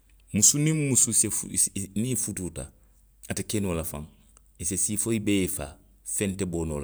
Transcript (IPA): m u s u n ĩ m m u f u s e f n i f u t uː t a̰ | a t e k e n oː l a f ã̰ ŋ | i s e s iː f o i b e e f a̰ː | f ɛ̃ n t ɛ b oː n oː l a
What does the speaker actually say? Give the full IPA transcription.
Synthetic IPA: m u s u n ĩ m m u s u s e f n i f u t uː t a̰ | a t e k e n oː l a f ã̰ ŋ | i s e s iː f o i b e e f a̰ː | f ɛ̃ n t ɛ b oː n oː l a

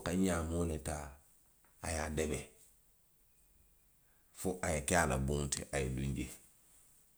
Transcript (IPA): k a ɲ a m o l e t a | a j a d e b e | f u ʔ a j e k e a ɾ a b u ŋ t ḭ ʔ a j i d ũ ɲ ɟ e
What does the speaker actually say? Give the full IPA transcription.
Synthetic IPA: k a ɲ a m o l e t a | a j a d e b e | f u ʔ a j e k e a l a b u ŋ t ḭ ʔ a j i d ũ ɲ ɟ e

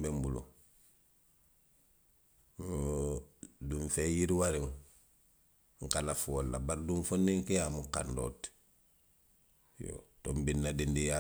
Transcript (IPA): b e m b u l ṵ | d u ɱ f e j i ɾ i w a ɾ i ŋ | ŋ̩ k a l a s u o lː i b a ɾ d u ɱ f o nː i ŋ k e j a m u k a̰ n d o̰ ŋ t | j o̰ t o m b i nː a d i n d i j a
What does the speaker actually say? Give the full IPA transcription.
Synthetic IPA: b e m b u l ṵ | d u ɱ f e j i ɾ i w a ɾ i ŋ | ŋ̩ k a l a f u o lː a b a ɾ d u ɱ f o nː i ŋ k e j a m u k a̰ n d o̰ t | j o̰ t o m b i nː a d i n d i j a

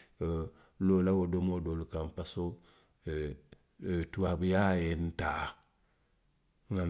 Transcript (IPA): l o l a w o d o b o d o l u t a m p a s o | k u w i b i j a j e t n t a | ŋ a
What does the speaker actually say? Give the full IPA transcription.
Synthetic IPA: l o l a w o d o m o d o l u k a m p a s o | t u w a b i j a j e n t a | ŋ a

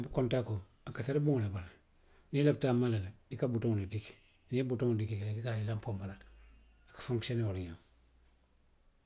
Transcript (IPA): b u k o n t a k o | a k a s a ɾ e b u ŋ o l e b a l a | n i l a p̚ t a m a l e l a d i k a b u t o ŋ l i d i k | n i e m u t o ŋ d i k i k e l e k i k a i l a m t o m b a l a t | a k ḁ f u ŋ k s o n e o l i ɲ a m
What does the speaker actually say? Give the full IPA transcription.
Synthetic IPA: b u k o n t a k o | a k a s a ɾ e b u ŋ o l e b a l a | n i l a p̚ t a m a l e l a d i k a b u t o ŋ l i d i k | n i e b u t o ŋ d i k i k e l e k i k a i l a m p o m b a l a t | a k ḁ f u ŋ k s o n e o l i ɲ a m

